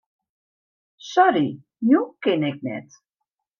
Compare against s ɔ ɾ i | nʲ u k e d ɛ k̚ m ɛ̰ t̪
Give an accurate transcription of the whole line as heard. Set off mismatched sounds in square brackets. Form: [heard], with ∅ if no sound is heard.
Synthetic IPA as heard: s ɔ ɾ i | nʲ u k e [n] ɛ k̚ [n] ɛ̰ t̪

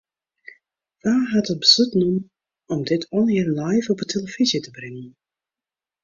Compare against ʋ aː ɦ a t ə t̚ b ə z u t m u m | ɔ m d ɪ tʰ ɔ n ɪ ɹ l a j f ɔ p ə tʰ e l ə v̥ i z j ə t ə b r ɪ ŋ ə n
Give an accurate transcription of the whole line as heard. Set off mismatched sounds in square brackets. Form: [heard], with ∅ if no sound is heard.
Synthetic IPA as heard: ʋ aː ɦ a t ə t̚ b ə z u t [n] u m | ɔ m d ɪ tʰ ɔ n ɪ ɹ l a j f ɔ p ə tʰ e l ə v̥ i z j ə t ə b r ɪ ŋ ə n

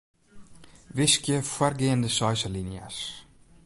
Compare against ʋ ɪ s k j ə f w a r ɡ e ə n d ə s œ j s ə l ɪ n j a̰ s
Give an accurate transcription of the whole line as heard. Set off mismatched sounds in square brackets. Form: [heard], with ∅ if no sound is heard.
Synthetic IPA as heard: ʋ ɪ s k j ə f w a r ɡ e ə n d ə s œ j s ə l [i] n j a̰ s

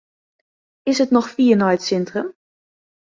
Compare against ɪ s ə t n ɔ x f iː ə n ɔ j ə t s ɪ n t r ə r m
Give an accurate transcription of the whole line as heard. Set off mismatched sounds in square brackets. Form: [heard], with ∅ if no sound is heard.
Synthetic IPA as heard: ɪ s ə t n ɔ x f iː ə n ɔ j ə t s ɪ n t r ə [∅] m

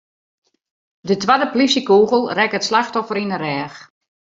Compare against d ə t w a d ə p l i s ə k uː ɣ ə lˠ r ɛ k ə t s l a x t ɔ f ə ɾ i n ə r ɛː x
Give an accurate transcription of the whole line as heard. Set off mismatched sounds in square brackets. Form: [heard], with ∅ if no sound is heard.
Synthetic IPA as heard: d ə t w a d ə p l i s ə k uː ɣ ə lˠ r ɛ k ə t s l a x t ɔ f ə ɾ i n ə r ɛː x

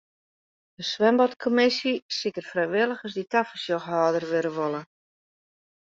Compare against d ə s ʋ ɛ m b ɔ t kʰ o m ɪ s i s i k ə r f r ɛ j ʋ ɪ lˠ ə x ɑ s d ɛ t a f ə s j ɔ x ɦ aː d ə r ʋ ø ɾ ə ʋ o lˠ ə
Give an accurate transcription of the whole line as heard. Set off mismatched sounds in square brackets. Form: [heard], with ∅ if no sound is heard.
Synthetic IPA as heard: d ə s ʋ ɛ m b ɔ t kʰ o m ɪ s i s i k ə r f r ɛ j ʋ ɪ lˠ ə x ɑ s d [i] t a f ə s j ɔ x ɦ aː d ə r ʋ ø ɾ ə ʋ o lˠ ə

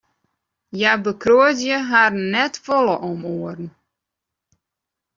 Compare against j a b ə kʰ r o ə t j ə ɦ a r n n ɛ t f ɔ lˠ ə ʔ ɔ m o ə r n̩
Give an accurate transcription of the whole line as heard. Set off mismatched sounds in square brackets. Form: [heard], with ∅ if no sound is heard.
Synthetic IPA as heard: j a b ə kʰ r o ə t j ə ɦ a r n n ɛ t f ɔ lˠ ə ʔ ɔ m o ə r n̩

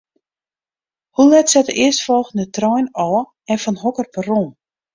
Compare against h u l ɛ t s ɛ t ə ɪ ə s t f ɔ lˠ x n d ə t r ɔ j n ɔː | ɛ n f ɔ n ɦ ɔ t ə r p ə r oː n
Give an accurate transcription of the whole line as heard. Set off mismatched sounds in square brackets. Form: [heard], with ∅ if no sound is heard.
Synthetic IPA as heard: h u l ɛ t s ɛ t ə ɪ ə s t f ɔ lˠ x n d ə t r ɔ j n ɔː | ɛ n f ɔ n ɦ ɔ [k] ə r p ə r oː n

